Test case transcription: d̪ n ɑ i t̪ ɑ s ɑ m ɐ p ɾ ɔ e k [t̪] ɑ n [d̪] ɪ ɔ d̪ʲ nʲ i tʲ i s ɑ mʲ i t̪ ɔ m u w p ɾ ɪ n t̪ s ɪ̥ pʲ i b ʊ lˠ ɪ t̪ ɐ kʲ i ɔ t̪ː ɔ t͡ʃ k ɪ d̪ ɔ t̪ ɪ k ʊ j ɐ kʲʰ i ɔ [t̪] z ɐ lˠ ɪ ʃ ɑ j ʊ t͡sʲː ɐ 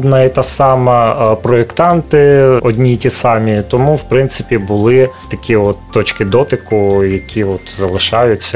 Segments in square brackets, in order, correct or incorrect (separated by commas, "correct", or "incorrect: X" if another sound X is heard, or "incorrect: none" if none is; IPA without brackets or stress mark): correct, incorrect: t̪, correct